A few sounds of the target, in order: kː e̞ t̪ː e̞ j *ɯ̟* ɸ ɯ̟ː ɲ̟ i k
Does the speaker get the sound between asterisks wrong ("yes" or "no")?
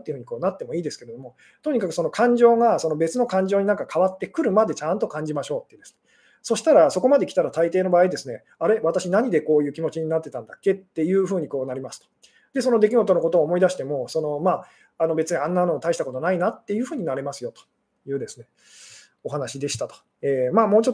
yes